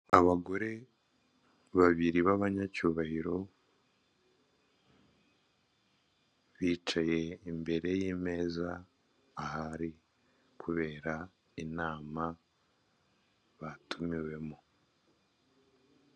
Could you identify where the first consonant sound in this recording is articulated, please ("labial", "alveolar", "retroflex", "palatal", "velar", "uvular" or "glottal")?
labial